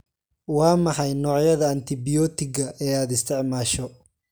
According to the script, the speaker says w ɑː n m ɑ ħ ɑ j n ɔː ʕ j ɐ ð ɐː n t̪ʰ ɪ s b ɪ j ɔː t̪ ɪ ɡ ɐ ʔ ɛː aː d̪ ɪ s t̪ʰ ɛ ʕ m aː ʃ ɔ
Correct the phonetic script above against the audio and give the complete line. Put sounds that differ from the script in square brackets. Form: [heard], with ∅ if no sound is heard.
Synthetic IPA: w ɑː [∅] m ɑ ħ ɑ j n ɔː ʕ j ɐ ð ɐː n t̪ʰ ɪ [∅] b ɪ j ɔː t̪ ɪ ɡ ɐ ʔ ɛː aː d̪ ɪ s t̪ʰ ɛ ʕ m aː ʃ ɔ